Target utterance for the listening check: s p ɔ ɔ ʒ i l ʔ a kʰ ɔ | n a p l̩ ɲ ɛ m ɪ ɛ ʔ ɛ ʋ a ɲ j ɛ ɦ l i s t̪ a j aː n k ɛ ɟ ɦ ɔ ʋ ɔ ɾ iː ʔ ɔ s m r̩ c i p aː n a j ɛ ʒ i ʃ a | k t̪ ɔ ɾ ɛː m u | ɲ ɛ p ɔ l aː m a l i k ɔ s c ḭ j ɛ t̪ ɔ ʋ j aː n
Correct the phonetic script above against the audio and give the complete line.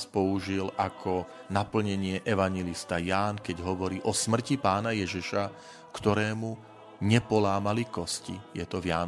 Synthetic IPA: s p ɔ u ʒ i l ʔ a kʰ ɔ | n a p l̩ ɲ ɛ ɲ ɪ ɛ ʔ ɛ ʋ a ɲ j ɛ l i s t̪ a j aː n k ɛ ɟ ɦ ɔ ʋ ɔ ɾ iː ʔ ɔ s m r̩ c i p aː n a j ɛ ʒ i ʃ a | k t̪ ɔ ɾ ɛː m u | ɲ ɛ p ɔ l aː m a l i k ɔ s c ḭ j ɛ t̪ ɔ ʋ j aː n